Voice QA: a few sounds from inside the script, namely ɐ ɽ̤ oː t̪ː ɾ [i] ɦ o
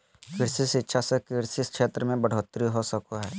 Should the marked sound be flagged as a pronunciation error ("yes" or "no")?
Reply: no